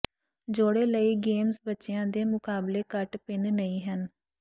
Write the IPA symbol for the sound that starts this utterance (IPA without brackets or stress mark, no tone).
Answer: d͡ʒ